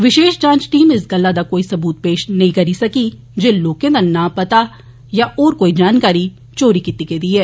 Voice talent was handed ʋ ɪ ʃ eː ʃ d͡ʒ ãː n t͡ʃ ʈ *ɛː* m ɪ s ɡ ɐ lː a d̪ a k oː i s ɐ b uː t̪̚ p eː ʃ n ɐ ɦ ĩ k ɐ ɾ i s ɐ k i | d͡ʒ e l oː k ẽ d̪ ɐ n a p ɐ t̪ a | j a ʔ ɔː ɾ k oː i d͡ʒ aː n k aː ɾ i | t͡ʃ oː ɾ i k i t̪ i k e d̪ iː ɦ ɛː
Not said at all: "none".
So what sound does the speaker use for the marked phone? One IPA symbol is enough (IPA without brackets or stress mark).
iː